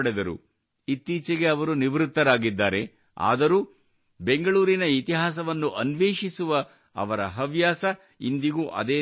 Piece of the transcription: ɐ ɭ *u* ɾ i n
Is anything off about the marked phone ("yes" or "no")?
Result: yes